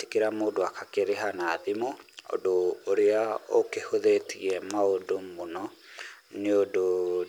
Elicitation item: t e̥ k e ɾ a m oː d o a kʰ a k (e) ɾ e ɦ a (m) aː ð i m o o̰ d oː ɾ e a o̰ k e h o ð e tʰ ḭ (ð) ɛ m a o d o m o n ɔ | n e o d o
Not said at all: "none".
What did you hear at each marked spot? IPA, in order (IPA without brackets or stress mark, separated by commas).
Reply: e, n, none